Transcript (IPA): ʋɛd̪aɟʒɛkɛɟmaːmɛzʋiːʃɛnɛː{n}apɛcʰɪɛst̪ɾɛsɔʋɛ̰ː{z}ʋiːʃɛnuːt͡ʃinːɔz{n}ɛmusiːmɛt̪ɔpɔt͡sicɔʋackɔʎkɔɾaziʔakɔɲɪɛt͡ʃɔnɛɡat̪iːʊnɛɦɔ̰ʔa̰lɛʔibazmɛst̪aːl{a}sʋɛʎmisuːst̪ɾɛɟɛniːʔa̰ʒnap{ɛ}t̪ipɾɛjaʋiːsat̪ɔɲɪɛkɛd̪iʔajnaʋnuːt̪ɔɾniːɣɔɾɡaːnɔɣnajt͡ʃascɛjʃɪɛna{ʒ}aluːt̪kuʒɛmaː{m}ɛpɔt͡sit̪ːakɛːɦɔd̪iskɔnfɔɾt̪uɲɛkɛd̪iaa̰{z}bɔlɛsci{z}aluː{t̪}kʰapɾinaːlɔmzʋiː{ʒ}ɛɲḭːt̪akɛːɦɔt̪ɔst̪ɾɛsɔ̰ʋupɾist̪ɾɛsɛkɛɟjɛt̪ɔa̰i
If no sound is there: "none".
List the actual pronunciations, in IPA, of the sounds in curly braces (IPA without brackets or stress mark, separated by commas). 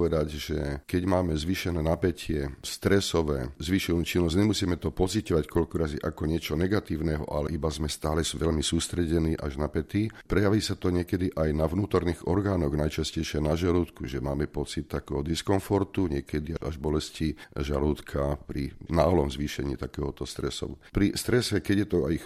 n, z, ɲ, ɛ, ɛ, ʒ, m, ʒ, ʒ, t̪, ʃ